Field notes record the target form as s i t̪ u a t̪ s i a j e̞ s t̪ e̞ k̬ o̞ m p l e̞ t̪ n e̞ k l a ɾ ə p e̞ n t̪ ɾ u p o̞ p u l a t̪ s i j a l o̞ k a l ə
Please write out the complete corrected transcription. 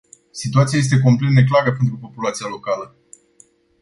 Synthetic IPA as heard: s i t̪ u a t̪ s i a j e̞ s t̪ e̞ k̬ o̞ m p l e̞ t̪ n e̞ k l a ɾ ə p e̞ n t̪ ɾ u p o̞ p u l a t̪ s i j a l o̞ k a l ə